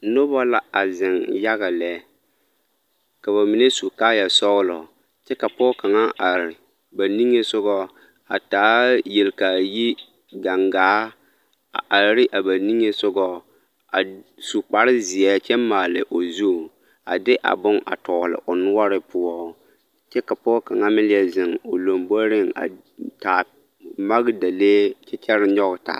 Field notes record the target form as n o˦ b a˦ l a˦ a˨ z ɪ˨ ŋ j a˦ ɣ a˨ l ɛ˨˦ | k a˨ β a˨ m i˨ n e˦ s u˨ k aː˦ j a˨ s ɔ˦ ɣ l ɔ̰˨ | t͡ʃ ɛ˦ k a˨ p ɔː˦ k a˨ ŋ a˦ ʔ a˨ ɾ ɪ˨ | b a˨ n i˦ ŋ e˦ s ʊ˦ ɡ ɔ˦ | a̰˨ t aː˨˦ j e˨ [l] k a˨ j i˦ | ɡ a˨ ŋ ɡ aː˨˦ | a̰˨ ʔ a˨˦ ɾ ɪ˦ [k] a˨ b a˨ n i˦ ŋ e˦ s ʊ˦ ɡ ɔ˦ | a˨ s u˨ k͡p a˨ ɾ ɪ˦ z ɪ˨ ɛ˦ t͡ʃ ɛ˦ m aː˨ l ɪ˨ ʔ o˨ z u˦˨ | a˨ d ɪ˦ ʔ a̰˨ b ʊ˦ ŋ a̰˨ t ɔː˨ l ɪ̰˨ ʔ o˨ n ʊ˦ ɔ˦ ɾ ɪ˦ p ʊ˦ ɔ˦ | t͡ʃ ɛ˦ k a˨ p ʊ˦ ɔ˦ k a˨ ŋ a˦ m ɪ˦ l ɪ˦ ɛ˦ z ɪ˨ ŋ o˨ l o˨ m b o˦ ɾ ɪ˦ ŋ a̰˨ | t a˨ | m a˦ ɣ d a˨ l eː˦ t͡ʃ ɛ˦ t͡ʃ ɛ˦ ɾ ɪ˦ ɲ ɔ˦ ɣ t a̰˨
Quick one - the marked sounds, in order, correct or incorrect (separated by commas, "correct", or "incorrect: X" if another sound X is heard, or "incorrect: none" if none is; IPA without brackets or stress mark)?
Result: correct, incorrect: ʔ